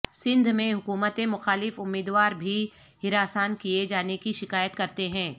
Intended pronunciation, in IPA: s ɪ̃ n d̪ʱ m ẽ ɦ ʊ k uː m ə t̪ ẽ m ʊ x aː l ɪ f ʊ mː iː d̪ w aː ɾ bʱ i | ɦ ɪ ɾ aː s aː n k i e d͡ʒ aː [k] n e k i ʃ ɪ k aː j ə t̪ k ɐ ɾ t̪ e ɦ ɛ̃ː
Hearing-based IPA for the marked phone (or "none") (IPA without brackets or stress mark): none